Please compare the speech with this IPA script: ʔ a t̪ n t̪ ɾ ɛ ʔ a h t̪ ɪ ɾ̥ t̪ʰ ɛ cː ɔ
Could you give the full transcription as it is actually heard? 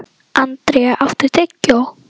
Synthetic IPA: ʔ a n t̪ ɾ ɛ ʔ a f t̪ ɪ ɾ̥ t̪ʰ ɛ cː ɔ